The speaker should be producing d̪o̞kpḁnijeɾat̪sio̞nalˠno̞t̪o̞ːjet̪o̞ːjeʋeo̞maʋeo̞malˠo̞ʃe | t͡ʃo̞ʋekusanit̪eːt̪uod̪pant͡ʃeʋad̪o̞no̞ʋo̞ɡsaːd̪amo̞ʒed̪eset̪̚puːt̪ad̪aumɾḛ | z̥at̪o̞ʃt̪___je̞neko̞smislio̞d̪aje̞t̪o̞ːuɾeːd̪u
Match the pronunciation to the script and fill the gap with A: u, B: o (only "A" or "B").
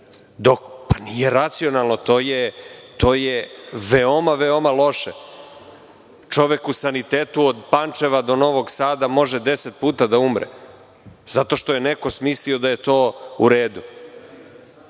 B